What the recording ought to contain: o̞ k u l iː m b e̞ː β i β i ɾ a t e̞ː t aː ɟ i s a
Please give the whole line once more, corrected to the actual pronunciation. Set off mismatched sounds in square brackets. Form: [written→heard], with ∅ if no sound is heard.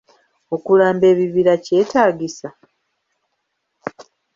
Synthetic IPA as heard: o̞ k u l [iː→aː] m b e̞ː β i β i ɾ a [t→c] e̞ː t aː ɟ i s a